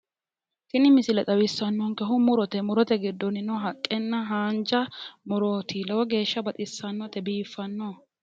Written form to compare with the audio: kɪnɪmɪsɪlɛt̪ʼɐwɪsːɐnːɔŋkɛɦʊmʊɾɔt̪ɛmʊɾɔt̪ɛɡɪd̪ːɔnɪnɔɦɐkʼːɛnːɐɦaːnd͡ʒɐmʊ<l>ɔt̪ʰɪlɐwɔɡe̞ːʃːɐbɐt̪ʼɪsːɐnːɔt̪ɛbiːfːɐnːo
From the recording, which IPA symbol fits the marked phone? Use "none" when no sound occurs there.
ɾ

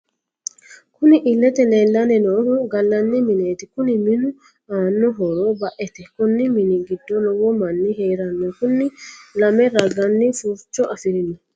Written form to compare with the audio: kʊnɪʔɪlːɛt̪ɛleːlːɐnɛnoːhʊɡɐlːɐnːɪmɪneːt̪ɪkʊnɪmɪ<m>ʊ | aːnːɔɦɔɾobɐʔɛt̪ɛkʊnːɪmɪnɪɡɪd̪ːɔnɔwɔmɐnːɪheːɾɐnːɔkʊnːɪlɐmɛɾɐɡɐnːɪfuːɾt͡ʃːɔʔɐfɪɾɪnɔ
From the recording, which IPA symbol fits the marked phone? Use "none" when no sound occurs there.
n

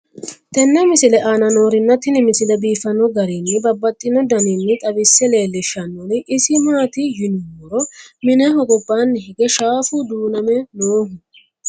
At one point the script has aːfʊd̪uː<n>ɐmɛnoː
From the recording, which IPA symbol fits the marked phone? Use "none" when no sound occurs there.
n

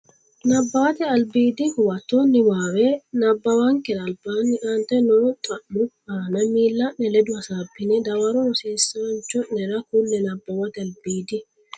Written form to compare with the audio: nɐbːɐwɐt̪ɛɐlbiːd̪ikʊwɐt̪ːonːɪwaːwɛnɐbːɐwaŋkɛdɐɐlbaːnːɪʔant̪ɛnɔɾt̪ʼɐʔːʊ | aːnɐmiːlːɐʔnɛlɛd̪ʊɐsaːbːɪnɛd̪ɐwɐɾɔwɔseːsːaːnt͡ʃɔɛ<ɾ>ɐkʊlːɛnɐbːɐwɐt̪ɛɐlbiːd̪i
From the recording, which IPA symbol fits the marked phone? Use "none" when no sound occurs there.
ɾ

